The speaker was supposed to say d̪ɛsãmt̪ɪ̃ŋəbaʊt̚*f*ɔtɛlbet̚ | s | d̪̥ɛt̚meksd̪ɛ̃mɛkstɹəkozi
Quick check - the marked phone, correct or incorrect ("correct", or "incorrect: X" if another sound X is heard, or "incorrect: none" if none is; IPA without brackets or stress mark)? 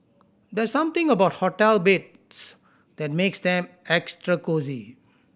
incorrect: h